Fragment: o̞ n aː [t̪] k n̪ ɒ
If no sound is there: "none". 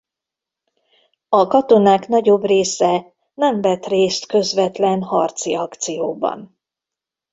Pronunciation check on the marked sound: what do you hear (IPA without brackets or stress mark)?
none